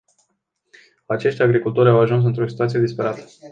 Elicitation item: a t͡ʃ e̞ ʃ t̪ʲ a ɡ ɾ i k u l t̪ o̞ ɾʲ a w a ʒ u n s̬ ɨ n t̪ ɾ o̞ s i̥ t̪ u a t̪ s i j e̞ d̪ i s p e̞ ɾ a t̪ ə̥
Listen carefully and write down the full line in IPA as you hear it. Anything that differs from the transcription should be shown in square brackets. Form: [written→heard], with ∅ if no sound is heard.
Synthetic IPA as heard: a t͡ʃ e̞ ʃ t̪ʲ a ɡ ɾ i k u l t̪ o̞ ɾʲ a w a ʒ u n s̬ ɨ n t̪ ɾ o̞ s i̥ t̪ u a t̪ s i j e̞ d̪ i s p e̞ ɾ a t̪ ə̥